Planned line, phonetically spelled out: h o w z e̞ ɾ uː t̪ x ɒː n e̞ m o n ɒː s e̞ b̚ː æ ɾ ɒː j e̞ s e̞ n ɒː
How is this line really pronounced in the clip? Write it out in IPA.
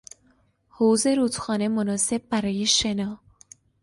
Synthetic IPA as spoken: h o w z e̞ ɾ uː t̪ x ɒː n e̞ m o n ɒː s e̞ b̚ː æ ɾ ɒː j e̞ ʃ e̞ n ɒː

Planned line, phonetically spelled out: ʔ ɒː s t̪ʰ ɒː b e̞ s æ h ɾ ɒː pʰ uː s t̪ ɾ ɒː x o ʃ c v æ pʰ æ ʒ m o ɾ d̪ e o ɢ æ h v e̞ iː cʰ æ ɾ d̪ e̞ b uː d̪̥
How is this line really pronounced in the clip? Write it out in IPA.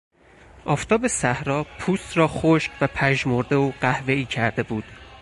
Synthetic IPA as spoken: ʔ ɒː f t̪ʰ ɒː b e̞ s æ h ɾ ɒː pʰ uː s t̪ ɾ ɒː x o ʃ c v æ pʰ æ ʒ m o ɾ d̪ e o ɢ æ h v e̞ iː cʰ æ ɾ d̪ e̞ b uː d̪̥

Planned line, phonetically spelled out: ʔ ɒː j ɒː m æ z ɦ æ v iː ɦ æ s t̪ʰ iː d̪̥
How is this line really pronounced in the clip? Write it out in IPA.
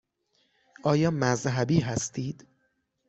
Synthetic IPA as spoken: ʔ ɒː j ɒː m æ z ɦ æ b iː ɦ æ s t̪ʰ iː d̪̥

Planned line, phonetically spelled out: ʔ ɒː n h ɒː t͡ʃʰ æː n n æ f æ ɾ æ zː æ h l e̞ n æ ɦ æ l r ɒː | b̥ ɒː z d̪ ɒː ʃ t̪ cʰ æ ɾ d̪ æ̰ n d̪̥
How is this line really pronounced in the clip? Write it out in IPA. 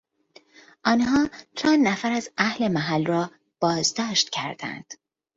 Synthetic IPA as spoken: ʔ ɒː n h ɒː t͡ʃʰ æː n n æ f æ ɾ æ z æ h l e̞ m æ ɦ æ l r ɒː | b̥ ɒː z d̪ ɒː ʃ t̪ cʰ æ ɾ d̪ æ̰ n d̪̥

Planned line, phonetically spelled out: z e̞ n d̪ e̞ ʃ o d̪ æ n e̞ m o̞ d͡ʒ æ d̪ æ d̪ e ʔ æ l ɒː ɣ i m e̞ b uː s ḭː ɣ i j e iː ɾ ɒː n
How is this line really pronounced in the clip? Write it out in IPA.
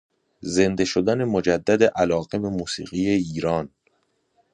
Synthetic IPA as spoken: z e̞ n d̪ e̞ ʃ o d̪ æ n e̞ m o̞ d͡ʒ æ d̪ː æ d̪ e ʔ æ l ɒː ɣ e m e̞ m uː s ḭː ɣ i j e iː ɾ ɒː n

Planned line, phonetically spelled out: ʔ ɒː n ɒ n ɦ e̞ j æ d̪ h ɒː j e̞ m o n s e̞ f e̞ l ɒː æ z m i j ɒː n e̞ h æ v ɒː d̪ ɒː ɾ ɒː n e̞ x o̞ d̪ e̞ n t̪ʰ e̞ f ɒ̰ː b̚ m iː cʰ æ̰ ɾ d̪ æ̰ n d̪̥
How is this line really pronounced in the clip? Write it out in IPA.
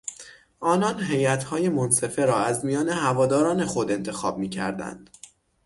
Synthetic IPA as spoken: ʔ ɒː n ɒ n ɦ e̞ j æ t̪ h ɒː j e̞ m o n s e̞ f e̞ ɾ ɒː æ z m i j ɒː n e̞ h æ v ɒː d̪ ɒː ɾ ɒː n e̞ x o̞ d̪ e̞ n t̪ʰ e̞ x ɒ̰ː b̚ m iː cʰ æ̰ ɾ d̪ æ̰ n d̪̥

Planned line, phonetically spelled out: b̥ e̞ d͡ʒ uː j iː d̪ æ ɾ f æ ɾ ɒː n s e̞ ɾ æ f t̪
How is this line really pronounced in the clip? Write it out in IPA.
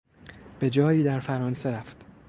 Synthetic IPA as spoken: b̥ e̞ d͡ʒ ɒː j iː d̪ æ ɾ f æ ɾ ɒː n s e̞ ɾ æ f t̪

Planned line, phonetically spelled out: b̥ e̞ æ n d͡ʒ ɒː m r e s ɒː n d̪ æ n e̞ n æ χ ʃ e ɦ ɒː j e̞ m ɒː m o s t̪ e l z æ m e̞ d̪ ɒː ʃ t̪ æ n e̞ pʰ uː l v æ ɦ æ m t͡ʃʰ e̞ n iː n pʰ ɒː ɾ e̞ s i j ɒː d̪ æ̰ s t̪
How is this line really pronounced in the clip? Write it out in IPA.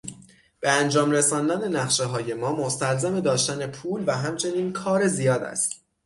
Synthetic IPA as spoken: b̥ e̞ æ n d͡ʒ ɒː m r e s ɒː n d̪ æ n e̞ n æ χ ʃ e ɦ ɒː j e̞ m ɒː m o s t̪ æ l z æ m e̞ d̪ ɒː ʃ t̪ æ n e̞ pʰ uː l v æ ɦ æ m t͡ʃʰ e̞ n iː n kʰ ɒː ɾ e̞ z i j ɒː d̪ æ̰ s t̪

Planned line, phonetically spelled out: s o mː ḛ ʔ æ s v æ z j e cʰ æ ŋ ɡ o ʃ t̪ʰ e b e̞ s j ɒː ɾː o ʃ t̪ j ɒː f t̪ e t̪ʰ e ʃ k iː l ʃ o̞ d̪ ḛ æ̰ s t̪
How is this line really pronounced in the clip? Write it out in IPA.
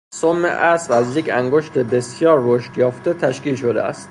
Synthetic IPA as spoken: s o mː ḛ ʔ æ s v æ z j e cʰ æ ŋ ɡ o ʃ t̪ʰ e b e̞ s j ɒː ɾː o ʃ t̪ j ɒː f t̪ e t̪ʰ æ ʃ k iː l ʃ o̞ d̪ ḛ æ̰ s t̪

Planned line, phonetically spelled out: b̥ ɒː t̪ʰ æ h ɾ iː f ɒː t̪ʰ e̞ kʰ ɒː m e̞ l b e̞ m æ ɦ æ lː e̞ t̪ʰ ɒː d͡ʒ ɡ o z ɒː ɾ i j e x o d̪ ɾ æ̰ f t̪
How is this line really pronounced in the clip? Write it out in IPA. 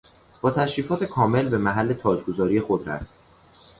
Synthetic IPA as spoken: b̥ ɒː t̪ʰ æ ʃ ɾ iː f ɒː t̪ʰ e̞ kʰ ɒː m e̞ l b e̞ m æ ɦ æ lː e̞ t̪ʰ ɒː d͡ʒ ɡ o z ɒː ɾ i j e x o d̪ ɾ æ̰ f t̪

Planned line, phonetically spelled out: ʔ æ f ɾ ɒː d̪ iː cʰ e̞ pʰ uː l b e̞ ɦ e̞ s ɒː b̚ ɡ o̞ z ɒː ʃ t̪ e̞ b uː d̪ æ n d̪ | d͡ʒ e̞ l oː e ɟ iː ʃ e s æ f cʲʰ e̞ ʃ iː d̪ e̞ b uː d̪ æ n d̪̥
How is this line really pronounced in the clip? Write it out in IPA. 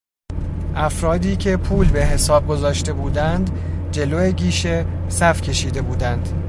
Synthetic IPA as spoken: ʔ æ f ɾ ɒː d̪ iː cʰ e̞ pʰ uː l b e̞ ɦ e̞ s ɒː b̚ ɡ o̞ z ɒː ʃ t̪ e̞ b uː d̪ æ n d̪ | d͡ʒ e̞ l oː e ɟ iː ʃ e s æ f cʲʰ e̞ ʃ iː d̪ e̞ b uː d̪ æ n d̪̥

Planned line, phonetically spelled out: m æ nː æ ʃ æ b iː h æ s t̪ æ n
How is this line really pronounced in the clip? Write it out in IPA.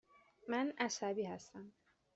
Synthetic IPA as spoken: m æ n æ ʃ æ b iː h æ s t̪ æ m

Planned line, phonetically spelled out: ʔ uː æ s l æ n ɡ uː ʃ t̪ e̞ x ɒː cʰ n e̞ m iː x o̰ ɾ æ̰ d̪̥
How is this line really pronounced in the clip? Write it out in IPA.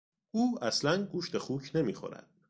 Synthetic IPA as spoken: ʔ uː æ s l æ n ɡ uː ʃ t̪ e̞ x uː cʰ n e̞ m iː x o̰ ɾ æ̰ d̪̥

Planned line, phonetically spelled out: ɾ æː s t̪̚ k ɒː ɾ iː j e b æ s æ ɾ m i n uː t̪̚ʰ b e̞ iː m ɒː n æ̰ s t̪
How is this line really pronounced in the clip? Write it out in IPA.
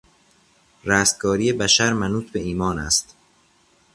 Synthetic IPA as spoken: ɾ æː s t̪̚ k ɒː ɾ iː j e b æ ʃ æ ɾ m æ n uː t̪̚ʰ b e̞ iː m ɒː n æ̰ s t̪

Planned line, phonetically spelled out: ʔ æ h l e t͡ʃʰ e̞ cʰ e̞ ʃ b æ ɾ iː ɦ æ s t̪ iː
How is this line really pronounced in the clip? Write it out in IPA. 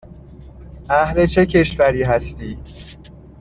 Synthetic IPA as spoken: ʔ æ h l e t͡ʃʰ e̞ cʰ e̞ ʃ v æ ɾ iː ɦ æ s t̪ iː

